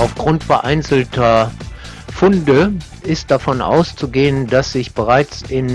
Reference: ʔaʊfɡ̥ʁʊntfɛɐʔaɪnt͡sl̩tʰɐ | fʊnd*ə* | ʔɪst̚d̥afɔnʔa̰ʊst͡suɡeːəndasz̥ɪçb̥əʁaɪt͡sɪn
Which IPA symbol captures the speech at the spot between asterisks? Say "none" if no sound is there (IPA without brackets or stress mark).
ə